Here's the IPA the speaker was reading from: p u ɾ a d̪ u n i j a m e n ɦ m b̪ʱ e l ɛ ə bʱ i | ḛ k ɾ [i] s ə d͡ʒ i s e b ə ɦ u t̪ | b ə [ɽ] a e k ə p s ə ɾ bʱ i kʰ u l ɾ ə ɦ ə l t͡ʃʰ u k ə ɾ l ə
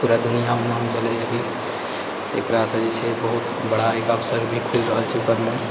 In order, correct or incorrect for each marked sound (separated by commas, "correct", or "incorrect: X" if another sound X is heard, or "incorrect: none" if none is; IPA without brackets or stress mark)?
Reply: incorrect: a, correct